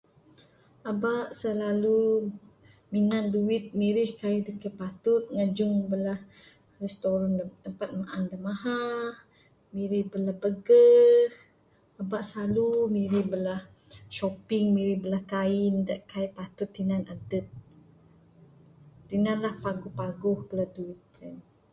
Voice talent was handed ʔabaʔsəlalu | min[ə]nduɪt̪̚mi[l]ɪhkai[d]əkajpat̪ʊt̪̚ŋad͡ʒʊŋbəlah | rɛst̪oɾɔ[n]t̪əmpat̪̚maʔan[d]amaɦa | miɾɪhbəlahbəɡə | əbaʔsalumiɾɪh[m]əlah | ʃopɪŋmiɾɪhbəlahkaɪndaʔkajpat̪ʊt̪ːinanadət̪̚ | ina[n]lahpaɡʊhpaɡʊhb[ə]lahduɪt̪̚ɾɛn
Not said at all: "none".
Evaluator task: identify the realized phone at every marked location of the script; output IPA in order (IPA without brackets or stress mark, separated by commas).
a, ɾ, d, n, d, b, n, ə